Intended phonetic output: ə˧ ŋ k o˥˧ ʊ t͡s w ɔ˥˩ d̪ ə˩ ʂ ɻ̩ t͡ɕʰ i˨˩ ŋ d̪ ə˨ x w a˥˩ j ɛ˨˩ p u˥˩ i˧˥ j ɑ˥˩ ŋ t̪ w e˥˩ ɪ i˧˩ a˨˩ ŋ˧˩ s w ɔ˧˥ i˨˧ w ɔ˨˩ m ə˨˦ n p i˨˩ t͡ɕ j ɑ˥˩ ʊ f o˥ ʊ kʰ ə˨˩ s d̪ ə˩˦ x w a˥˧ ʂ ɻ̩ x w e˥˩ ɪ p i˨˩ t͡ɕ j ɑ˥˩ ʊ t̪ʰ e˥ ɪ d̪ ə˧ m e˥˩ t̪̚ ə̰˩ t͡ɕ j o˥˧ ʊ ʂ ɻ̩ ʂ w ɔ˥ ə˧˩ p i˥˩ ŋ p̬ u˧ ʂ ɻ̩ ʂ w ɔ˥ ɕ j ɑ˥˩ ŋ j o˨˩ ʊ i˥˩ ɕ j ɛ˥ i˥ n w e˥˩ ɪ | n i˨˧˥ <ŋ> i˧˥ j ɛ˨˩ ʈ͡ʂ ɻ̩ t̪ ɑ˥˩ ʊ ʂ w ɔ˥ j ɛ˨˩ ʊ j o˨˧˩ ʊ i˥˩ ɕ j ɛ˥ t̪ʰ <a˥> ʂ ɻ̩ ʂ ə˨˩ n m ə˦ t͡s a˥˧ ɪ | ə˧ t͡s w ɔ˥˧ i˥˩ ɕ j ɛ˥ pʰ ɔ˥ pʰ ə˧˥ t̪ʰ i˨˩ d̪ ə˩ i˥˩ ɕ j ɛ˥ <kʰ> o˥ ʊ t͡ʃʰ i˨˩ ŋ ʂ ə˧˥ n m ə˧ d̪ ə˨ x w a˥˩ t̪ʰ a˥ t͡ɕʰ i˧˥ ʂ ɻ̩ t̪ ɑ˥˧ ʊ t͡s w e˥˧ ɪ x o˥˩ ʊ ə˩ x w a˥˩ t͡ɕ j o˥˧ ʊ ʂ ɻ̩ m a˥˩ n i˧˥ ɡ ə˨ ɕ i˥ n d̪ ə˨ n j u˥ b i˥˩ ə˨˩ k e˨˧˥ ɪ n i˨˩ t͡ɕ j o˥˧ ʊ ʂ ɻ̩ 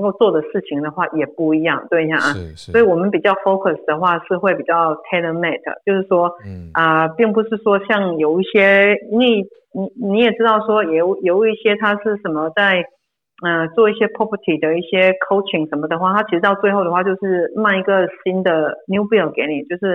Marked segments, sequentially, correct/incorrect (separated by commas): incorrect, correct, correct